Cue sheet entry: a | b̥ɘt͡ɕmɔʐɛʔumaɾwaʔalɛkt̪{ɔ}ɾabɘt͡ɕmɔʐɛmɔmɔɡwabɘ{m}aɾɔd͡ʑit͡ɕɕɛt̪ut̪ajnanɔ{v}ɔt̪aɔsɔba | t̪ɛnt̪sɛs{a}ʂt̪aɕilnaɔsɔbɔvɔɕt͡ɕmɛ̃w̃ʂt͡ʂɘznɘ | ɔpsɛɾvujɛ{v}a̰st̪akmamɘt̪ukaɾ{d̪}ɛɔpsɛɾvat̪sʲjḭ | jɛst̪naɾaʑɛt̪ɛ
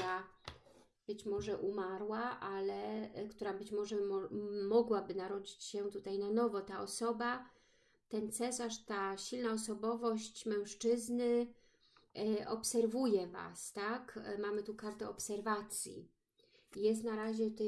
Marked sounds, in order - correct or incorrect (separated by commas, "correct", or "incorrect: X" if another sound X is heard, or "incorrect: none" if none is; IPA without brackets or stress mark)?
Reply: incorrect: u, incorrect: n, correct, correct, correct, incorrect: t̪